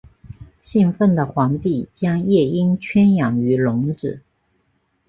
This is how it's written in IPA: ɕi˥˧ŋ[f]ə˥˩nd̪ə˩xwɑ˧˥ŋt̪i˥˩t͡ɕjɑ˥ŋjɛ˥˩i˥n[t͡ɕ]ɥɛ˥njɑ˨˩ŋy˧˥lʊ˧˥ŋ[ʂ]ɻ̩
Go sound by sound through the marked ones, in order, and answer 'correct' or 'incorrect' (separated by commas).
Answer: correct, incorrect, incorrect